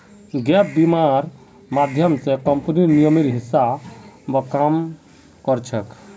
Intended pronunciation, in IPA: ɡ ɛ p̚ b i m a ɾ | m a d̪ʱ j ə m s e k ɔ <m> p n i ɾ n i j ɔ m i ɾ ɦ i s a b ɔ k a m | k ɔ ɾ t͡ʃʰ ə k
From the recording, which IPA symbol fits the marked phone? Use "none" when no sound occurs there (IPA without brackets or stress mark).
m